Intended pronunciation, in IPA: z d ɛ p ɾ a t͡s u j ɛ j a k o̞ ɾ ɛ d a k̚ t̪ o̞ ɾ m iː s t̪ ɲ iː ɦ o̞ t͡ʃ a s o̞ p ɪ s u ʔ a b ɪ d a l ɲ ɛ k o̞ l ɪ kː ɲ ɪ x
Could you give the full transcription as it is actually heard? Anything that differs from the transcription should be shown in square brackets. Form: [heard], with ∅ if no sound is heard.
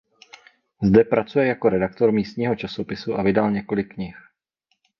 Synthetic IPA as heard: z d ɛ p ɾ a t͡s u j ɛ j a k o̞ ɾ ɛ d a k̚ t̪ o̞ ɾ m iː s t̪ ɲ iː ɦ o̞ t͡ʃ a s o̞ p ɪ s u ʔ a [v] ɪ d a l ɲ ɛ k o̞ l ɪ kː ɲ ɪ x